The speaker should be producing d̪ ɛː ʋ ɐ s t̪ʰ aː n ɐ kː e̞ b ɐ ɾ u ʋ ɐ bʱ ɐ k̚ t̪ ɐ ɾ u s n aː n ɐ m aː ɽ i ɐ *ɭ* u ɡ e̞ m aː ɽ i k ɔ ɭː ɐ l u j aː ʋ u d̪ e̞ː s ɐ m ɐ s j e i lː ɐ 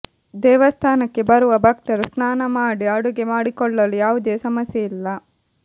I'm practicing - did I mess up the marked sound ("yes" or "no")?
yes